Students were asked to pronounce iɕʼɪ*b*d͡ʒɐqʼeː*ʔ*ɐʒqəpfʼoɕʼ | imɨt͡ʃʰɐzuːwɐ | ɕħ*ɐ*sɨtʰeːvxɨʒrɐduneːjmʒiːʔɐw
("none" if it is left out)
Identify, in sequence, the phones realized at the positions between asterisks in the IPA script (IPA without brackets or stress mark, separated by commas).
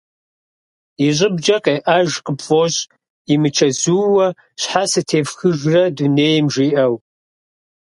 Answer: b, ʔ, a